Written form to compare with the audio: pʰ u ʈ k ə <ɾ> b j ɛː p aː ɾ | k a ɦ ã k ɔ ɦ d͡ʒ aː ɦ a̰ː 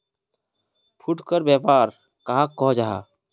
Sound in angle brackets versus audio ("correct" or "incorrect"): correct